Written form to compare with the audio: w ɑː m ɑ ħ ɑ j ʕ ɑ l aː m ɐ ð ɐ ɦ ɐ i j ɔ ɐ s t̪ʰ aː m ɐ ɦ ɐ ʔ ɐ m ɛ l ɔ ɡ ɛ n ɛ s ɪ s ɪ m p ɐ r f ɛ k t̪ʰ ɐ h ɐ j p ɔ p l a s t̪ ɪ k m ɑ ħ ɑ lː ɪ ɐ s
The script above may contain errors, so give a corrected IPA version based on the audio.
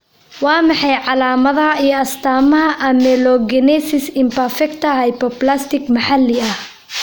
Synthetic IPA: w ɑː m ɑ ħ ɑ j ʕ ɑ l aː m ɐ ð ɐ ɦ ɐ i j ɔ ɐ s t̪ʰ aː m ɐ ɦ ɐ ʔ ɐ m ɛ l ɔ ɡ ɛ n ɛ s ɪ s ɪ m p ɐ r f ɛ k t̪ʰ ɐ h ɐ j p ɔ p l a s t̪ ɪ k m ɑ ħ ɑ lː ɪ ɐ h